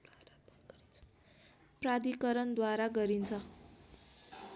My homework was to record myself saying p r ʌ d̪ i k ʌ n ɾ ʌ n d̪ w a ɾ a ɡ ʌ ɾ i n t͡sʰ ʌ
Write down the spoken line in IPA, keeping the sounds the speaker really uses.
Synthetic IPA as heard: p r a d̪ i k ʌ ɾ ʌ n d̪ w a ɾ a ɡ ʌ ɾ i n t͡sʰ ʌ